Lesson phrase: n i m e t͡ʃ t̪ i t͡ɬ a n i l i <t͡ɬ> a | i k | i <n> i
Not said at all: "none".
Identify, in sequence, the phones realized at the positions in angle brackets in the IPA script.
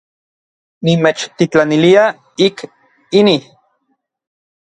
none, n

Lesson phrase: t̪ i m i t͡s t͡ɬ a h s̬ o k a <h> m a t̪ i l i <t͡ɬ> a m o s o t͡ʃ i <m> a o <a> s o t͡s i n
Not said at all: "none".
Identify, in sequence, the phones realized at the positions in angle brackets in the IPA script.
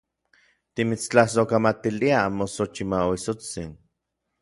none, none, m, i

